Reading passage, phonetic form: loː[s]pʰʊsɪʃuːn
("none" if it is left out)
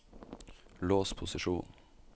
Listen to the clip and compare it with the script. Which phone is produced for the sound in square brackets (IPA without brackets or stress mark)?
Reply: s